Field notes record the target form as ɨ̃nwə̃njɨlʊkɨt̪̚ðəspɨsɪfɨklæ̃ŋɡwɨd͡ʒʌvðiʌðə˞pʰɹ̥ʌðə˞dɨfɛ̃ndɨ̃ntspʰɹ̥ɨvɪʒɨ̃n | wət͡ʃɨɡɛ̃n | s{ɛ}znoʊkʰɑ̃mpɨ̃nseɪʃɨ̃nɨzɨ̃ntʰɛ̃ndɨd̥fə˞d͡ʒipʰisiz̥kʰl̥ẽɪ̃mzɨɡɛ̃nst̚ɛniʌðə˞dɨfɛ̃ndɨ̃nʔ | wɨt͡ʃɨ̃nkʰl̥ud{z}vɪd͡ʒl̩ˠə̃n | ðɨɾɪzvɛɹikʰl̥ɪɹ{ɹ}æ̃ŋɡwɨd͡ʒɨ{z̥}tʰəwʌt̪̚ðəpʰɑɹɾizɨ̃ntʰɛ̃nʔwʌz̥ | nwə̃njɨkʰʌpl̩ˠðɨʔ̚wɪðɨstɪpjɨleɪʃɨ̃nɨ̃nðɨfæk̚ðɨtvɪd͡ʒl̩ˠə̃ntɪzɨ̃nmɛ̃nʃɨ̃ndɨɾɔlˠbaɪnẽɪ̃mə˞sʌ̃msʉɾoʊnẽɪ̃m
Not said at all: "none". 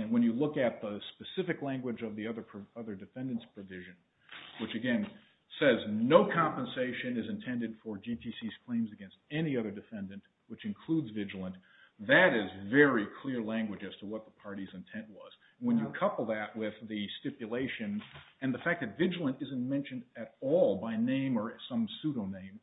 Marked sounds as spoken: ɛ, z, l, z̥

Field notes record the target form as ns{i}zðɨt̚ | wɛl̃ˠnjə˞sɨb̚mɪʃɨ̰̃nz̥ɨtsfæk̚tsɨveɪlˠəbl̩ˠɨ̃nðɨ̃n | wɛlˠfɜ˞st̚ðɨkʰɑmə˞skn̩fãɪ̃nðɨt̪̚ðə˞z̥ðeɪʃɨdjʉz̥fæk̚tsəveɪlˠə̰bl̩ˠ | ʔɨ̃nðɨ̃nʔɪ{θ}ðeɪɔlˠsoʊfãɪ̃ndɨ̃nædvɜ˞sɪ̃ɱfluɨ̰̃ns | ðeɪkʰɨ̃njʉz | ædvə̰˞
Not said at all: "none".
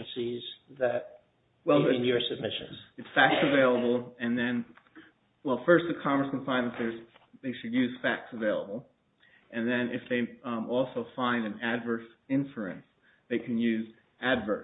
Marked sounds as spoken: i, f

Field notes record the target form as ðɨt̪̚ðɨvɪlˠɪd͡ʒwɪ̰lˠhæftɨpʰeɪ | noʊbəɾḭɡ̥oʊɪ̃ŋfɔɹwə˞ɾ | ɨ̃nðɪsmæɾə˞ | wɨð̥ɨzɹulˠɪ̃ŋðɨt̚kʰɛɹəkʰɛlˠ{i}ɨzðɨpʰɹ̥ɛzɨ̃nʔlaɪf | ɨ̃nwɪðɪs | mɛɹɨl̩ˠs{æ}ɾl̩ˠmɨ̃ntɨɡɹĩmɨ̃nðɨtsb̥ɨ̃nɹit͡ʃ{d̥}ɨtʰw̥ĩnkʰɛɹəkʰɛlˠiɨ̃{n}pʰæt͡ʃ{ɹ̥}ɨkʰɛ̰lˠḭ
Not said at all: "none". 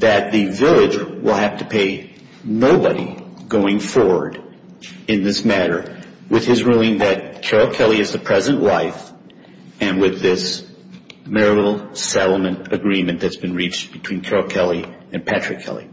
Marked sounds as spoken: i, ɛ, b̥, n, ɹ̥

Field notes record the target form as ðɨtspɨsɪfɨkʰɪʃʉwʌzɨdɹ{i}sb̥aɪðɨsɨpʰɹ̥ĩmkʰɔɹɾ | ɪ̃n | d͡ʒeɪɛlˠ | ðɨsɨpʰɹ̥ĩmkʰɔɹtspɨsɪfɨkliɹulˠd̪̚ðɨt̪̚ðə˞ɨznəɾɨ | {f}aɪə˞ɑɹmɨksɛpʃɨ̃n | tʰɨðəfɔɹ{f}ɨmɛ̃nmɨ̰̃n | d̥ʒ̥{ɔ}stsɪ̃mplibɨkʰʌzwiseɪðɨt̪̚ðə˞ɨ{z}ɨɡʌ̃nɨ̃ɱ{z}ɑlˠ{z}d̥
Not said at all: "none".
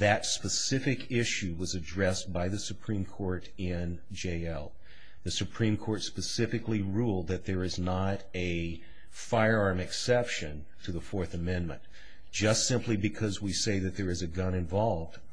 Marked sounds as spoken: ɛ, f, θ, ʌ, z, v, v

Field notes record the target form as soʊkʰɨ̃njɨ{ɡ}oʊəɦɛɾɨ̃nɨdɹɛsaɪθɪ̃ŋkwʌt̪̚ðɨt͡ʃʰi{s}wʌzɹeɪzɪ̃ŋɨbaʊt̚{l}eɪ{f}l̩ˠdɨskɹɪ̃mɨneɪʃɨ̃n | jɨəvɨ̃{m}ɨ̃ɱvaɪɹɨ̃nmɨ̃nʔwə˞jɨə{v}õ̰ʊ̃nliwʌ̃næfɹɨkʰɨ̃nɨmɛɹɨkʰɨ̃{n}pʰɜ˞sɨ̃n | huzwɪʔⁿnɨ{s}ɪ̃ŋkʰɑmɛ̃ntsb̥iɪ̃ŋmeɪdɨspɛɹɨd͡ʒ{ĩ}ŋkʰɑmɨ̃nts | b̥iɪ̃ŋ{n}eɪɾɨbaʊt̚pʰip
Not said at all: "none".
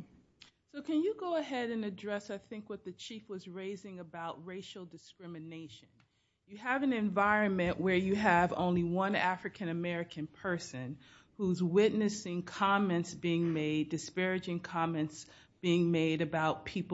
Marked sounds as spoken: ɡ, f, ɹ, ʃ, n, v, n, s, ɪ̃, m

